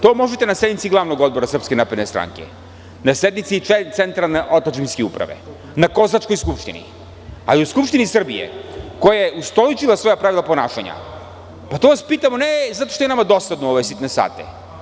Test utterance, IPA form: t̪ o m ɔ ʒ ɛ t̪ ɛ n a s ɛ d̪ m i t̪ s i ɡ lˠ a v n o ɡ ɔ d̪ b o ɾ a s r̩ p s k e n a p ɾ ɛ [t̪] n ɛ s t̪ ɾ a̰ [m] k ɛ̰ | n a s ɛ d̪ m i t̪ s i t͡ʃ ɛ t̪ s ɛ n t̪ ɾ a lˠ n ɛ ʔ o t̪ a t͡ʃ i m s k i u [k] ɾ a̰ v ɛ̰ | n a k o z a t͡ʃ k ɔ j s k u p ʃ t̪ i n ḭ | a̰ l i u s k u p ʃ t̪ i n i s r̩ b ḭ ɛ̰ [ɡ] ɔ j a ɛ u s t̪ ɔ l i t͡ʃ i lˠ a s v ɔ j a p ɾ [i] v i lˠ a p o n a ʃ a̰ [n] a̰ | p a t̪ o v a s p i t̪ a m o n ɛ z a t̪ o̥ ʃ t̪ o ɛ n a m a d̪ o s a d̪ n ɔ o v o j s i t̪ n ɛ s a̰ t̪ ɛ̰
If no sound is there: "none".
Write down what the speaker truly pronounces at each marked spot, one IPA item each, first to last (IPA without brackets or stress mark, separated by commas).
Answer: d̪, ŋ, p, k, a, ɲ